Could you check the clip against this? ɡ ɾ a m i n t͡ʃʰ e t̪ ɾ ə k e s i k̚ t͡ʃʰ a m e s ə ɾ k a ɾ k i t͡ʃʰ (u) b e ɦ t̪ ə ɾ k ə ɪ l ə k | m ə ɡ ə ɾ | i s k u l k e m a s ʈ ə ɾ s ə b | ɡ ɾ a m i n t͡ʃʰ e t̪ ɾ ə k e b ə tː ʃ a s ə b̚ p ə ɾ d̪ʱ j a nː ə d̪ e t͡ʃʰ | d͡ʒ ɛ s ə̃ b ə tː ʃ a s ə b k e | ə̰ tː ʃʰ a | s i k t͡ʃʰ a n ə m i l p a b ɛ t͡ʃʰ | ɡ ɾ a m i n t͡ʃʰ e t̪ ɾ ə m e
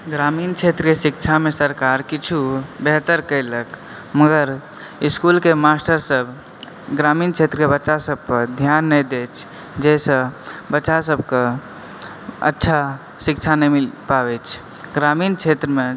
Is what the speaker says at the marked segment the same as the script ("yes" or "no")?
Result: yes